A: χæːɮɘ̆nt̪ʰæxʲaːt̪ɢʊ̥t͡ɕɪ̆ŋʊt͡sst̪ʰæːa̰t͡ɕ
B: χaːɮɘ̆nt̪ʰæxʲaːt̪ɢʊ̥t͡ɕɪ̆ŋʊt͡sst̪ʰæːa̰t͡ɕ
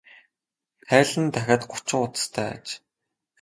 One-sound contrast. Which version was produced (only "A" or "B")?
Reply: A